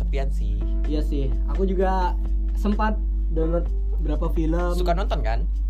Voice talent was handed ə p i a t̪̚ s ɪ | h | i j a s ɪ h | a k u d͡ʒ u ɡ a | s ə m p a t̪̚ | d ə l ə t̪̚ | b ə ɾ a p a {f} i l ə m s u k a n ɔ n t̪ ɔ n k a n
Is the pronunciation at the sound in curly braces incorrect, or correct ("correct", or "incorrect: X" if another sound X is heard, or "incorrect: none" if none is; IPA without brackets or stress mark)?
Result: correct